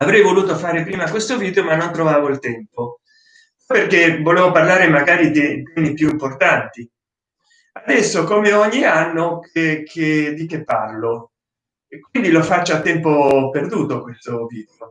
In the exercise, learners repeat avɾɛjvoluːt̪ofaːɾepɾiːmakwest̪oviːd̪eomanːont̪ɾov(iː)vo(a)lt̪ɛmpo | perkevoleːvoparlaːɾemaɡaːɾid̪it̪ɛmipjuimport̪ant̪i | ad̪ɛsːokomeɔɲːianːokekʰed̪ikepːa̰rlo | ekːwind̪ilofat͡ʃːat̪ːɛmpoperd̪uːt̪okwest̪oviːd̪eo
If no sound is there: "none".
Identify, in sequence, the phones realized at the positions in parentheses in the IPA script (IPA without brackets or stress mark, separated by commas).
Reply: aː, i